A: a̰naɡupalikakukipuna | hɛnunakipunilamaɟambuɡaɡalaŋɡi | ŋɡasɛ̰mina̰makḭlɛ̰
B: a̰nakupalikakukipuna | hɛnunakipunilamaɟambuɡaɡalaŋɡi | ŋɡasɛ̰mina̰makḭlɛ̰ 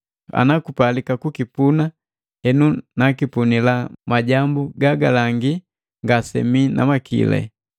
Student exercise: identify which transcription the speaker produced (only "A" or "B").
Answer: B